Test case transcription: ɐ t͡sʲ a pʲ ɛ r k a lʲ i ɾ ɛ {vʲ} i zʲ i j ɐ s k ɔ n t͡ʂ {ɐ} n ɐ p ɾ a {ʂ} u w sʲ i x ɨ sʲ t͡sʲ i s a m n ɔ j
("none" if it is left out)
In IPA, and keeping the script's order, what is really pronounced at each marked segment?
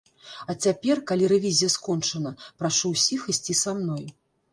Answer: vʲ, ɐ, ʂ

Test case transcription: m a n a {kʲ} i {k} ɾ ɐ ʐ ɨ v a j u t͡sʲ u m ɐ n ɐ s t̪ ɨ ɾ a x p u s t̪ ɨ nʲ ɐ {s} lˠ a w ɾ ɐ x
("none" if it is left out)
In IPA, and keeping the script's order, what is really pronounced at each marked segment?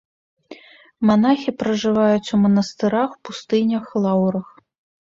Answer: xʲ, p, x

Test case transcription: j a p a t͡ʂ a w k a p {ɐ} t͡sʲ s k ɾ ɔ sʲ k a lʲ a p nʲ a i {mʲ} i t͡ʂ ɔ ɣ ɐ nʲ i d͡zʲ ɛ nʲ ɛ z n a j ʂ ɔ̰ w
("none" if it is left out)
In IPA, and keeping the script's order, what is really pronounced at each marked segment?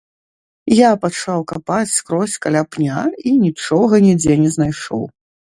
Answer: a, nʲ

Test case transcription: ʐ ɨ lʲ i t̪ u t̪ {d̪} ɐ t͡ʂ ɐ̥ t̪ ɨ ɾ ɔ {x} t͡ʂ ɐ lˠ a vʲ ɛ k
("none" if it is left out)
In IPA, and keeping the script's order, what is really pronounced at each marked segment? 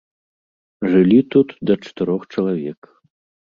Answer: d̪, x

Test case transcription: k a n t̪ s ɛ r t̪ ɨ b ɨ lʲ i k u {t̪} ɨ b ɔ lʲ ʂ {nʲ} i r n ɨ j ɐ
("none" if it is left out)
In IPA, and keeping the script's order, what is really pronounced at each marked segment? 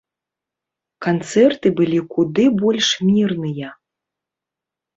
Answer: d̪, mʲ

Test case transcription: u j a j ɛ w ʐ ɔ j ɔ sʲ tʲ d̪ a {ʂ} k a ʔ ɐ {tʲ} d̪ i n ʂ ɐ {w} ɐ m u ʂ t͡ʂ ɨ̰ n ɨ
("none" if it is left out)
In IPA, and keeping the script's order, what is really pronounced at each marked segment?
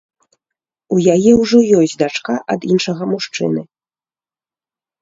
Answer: t͡ʂ, none, ɣ

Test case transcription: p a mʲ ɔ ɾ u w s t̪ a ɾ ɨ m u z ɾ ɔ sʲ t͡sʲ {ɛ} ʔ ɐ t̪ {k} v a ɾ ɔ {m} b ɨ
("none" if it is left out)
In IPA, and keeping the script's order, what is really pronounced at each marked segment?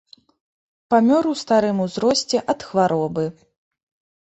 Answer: ɛ, x, none

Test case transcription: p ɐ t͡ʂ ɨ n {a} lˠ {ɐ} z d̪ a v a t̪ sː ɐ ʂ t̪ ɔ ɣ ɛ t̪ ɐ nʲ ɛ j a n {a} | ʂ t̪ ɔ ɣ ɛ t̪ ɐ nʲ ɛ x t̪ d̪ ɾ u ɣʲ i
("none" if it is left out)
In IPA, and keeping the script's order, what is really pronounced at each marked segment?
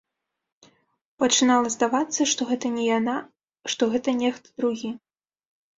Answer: a, ɐ, a

